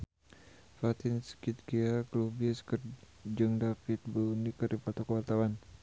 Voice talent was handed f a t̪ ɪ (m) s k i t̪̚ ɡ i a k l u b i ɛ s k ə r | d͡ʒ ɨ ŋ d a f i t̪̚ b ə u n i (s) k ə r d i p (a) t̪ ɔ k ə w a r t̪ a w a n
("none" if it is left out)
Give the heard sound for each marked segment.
n, none, a

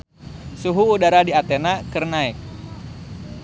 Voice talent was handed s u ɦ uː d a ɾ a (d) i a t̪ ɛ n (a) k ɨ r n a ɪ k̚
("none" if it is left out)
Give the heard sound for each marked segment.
d, a

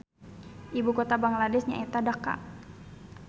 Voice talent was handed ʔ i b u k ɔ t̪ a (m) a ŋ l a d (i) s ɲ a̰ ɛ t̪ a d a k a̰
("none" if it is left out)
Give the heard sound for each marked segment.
b, ɛ

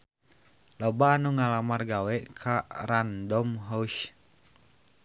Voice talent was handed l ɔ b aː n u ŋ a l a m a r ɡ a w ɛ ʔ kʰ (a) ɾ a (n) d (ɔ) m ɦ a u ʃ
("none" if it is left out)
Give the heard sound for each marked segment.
a, n, ɔ

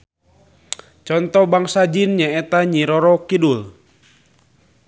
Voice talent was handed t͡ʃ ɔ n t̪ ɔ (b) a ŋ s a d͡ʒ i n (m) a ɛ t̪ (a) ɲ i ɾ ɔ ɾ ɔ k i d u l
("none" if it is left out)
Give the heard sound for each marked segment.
b, ɲ, a

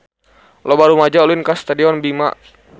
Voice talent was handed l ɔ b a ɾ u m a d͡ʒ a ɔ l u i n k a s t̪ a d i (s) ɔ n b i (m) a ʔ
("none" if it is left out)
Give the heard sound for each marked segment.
none, m

